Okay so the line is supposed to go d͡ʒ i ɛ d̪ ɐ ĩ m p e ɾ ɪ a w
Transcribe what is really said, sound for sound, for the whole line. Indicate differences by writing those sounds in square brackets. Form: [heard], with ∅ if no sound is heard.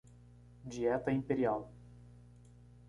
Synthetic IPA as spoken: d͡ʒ i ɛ [t̪] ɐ ĩ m p e ɾ [i] a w

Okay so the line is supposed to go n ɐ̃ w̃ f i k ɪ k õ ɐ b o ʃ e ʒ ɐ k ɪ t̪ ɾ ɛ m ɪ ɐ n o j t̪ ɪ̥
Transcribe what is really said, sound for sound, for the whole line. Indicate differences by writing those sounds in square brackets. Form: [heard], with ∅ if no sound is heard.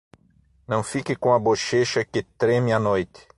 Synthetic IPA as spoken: n ɐ̃ w̃ f i k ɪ k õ ɐ b o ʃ e [ʃ] ɐ k ɪ t̪ ɾ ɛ m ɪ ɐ n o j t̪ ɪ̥

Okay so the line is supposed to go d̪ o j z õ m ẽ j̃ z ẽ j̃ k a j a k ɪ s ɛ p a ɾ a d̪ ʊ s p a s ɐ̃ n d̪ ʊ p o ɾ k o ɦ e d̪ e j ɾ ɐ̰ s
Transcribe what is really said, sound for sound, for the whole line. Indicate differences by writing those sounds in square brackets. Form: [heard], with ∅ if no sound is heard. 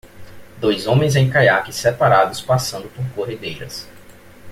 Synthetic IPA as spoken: d̪ o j z õ m ẽ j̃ z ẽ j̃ k a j a k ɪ s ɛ p a ɾ a d̪ ʊ s p a s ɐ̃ n d̪ ʊ p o ɾ k o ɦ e d̪ e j ɾ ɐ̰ s

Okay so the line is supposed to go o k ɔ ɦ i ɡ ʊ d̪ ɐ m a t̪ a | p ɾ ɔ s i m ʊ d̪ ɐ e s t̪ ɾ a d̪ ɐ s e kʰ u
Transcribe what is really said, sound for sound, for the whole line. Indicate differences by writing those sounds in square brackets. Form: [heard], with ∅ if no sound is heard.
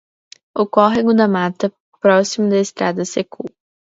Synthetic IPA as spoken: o k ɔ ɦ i ɡ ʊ d̪ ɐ m a t̪ [ɐ] | p ɾ ɔ s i m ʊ d̪ ɐ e s t̪ ɾ a d̪ ɐ s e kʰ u

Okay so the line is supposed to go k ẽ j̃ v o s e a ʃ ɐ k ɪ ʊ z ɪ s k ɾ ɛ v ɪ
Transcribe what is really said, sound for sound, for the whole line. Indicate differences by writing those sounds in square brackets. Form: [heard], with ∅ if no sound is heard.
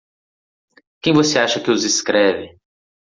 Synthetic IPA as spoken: k ẽ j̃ v o s e a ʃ ɐ k ɪ ʊ z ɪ s k ɾ ɛ v ɪ

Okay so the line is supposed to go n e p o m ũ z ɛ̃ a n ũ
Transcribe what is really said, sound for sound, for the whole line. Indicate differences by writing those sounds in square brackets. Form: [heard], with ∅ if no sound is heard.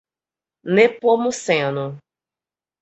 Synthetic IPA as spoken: n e p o m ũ [s] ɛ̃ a n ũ

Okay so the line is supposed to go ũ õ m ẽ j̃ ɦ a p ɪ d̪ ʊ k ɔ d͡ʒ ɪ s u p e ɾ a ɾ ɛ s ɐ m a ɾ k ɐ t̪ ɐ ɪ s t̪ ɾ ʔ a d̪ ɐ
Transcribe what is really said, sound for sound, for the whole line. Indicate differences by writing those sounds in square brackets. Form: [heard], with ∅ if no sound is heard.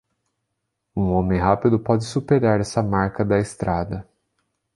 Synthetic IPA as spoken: ũ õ m ẽ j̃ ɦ a p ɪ d̪ ʊ [p] ɔ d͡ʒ ɪ s u p e ɾ a ɾ ɛ s ɐ m a ɾ k ɐ [d̪] ɐ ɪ s t̪ ɾ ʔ a d̪ ɐ

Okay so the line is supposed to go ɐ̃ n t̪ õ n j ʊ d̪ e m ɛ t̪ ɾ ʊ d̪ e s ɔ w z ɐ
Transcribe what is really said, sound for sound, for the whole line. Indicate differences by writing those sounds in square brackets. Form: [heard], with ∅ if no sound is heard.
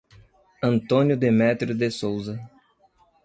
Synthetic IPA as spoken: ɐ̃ n t̪ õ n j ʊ d̪ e m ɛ t̪ ɾ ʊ d̪ e s [o] w z ɐ

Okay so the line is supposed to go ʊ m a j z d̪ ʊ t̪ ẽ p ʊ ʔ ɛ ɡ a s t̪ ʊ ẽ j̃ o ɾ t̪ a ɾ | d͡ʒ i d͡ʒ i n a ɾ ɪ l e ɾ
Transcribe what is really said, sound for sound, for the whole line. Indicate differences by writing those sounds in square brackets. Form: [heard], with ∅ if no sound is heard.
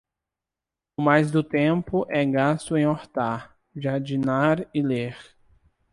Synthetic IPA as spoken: ʊ m a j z d̪ ʊ t̪ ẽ p ʊ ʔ ɛ ɡ a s t̪ ʊ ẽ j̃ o ɾ t̪ a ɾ | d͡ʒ [a] d͡ʒ i n a ɾ ɪ l e ɾ

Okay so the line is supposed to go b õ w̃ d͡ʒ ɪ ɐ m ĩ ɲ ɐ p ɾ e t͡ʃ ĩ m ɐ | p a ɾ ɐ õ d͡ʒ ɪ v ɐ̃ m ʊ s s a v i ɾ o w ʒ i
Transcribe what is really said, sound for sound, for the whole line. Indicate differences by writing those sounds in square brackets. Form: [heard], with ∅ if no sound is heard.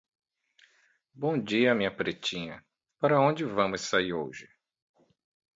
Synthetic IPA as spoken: b õ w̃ d͡ʒ [i] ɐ m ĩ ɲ ɐ p ɾ e t͡ʃ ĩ [ɲ] ɐ | p a ɾ ɐ õ d͡ʒ ɪ v ɐ̃ m ʊ s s a [∅] i ɾ o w ʒ [ɪ]

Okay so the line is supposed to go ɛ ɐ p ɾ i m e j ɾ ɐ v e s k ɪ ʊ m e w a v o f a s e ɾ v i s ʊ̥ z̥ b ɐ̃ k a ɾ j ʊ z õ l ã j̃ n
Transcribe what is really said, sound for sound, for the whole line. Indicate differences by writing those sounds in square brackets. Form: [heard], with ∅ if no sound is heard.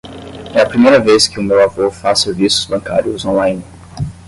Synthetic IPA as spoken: ɛ ɐ p ɾ i m e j ɾ ɐ v e s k ɪ ʊ m e w a v o f a s e ɾ v i s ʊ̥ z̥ b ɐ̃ k a ɾ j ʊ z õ l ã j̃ n

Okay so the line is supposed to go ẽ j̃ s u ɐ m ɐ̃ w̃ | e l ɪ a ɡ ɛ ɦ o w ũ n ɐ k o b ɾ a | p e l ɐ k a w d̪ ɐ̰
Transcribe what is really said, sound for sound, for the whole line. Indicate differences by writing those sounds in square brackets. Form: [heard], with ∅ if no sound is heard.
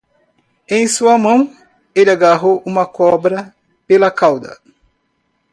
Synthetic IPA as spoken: ẽ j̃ s u ɐ m ɐ̃ w̃ | e l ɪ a ɡ [a] ɦ o w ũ [m] ɐ k [ɔ] b ɾ [ɐ] | p e l ɐ k a w d̪ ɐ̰

